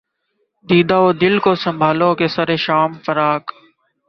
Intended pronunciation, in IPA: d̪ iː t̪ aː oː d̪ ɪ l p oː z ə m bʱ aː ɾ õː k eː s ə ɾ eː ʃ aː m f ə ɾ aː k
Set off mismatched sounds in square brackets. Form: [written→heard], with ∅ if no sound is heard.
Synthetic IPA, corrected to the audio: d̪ iː [t̪→d̪] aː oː d̪ ɪ l [p→k] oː [z→s] ə m bʱ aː [ɾ→l] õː k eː s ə ɾ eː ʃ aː m f ə ɾ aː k